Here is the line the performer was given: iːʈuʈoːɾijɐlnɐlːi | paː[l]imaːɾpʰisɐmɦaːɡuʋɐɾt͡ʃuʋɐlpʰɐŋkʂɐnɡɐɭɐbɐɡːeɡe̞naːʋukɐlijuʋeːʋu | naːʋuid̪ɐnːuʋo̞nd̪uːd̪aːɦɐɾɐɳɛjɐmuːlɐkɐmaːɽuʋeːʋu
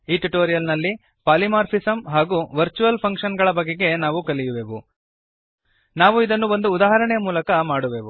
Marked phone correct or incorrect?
correct